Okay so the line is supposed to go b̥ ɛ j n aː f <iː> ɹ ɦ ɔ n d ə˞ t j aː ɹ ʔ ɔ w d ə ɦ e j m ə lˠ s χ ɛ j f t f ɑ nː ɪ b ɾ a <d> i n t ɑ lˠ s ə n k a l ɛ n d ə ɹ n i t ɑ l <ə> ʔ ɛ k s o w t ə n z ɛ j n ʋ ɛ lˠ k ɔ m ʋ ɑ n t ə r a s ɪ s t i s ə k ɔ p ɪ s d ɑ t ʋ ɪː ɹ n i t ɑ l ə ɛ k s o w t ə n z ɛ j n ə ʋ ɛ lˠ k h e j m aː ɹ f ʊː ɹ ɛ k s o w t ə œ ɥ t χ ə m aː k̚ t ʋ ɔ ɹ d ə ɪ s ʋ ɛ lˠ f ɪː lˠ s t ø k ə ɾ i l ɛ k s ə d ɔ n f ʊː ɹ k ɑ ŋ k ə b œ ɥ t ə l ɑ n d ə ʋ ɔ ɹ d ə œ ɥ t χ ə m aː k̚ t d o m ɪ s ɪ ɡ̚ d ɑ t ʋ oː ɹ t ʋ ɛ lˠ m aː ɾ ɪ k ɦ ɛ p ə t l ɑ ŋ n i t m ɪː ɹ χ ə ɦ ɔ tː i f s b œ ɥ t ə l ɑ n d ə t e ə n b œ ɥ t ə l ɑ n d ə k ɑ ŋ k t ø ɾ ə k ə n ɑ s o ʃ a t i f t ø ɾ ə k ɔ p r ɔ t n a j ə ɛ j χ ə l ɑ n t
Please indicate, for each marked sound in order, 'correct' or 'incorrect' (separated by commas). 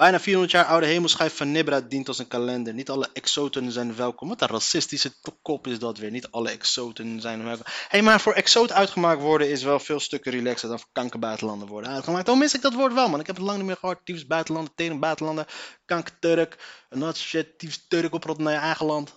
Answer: correct, correct, correct